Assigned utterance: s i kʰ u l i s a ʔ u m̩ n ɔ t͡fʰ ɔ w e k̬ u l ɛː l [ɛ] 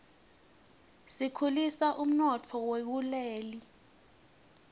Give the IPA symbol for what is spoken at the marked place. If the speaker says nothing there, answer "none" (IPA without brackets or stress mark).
i